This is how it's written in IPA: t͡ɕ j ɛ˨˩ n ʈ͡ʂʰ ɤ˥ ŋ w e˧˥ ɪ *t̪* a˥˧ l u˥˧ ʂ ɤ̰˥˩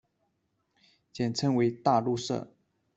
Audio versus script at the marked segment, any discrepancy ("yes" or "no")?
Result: no